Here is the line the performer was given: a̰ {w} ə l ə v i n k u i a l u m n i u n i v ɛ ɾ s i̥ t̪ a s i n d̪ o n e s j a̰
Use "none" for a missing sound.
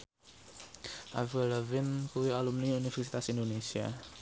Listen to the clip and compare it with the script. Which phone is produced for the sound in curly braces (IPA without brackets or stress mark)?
v